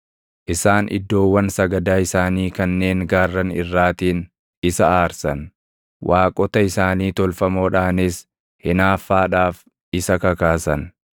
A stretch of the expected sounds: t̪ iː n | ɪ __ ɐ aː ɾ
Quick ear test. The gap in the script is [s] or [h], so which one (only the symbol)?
s